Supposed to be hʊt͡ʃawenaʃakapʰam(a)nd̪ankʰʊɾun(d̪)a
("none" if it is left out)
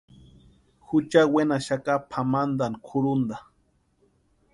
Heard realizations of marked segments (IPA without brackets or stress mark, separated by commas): a, d̪